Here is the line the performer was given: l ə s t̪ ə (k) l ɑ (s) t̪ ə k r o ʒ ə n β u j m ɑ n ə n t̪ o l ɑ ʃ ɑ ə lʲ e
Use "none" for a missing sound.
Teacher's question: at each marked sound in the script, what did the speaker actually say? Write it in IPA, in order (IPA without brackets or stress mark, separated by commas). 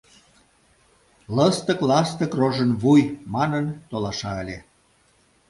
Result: k, s